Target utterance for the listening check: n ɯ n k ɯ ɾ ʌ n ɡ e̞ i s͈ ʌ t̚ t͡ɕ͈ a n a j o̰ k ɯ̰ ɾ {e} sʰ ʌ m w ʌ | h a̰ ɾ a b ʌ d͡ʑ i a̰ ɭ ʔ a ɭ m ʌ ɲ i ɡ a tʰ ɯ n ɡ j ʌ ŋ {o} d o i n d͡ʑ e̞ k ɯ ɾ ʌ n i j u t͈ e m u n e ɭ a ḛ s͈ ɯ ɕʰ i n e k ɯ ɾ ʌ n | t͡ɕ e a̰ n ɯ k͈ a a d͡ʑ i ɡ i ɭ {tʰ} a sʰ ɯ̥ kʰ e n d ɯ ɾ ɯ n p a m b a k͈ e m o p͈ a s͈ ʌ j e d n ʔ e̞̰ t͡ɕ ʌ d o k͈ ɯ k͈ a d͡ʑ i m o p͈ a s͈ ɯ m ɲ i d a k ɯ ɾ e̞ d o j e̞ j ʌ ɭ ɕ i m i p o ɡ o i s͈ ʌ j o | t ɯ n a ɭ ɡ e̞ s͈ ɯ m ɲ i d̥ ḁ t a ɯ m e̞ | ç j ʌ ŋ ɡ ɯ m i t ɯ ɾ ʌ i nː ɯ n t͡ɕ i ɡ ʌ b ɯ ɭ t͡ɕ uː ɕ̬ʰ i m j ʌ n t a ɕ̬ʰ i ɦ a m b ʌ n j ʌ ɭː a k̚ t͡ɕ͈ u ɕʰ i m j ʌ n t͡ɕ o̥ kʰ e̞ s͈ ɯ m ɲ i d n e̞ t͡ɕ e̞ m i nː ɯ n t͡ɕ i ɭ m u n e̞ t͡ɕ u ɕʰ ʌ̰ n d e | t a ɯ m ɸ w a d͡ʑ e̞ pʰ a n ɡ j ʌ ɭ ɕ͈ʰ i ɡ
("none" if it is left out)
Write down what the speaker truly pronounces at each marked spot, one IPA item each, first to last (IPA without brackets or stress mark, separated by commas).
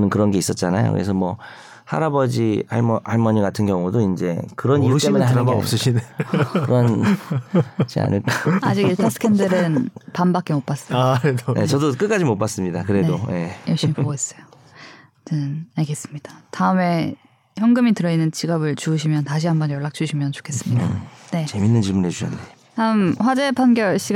e, u, tʰ